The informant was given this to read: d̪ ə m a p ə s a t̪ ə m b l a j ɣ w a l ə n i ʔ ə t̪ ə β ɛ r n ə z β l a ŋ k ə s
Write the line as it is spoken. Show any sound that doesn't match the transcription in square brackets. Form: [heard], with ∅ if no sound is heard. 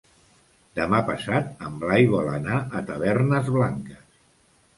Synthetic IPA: d̪ ə m a p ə s a t̪ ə m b l a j ɣ w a l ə n [a] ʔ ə t̪ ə β ɛ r n ə z β l a ŋ k ə s